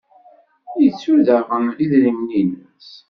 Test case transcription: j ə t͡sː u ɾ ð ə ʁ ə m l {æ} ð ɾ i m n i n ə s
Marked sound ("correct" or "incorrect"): incorrect